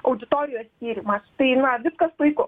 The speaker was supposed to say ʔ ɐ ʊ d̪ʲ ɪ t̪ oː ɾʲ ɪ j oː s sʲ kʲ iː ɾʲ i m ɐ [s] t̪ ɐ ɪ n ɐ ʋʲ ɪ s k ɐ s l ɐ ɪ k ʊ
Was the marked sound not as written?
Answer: no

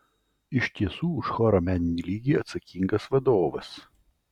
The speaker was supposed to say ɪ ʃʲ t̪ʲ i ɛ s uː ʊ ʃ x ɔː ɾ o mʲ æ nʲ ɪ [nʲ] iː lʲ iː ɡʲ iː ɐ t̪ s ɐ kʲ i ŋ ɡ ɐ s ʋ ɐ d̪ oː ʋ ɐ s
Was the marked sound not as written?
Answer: no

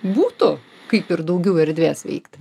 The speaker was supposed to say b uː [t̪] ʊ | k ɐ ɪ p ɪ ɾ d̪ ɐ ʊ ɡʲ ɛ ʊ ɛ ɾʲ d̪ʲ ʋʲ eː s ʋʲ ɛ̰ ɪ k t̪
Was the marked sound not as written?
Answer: no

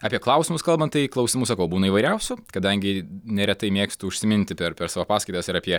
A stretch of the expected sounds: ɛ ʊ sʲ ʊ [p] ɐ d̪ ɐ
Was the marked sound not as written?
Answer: yes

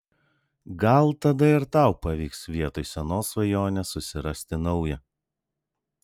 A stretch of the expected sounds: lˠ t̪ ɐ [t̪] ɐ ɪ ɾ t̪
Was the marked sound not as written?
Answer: yes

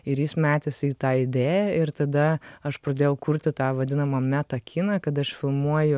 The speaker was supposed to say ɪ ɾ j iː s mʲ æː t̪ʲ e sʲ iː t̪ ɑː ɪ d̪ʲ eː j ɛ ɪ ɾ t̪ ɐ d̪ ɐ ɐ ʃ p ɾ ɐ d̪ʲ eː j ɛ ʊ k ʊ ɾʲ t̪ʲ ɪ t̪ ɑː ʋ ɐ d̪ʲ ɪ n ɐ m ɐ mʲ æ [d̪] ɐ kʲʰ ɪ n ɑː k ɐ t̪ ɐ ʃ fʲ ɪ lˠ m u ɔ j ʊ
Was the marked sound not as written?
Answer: yes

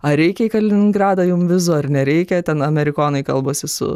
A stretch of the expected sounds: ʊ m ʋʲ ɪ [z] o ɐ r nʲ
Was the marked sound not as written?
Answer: no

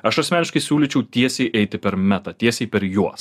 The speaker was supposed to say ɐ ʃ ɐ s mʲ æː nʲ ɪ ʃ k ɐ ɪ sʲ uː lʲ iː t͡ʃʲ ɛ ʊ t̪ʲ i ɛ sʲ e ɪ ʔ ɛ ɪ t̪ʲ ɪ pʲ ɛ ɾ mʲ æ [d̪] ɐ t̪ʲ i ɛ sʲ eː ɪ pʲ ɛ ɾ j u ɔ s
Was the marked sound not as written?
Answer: yes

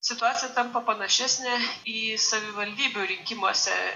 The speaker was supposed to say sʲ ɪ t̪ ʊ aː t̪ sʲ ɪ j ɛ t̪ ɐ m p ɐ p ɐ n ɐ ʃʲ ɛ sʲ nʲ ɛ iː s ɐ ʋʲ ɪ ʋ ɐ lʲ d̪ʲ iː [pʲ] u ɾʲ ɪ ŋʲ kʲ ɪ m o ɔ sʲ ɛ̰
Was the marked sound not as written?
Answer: yes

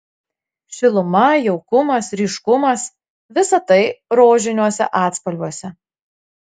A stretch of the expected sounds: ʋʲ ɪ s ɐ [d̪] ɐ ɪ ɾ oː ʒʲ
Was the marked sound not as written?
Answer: yes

